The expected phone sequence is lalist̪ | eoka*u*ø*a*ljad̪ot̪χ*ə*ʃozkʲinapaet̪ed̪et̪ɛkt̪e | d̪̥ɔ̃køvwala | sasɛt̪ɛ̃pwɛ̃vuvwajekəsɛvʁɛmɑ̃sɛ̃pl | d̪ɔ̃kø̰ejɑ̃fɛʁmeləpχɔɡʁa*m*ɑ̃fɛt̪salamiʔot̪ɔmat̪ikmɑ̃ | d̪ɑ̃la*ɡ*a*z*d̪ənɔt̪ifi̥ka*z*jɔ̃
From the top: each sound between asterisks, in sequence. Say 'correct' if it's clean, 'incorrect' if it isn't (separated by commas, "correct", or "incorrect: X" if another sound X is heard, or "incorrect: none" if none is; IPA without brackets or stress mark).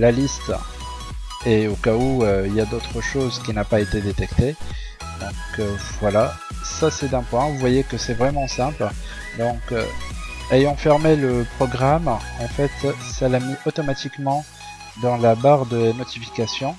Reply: correct, incorrect: i, correct, correct, incorrect: b, incorrect: ʁ, incorrect: s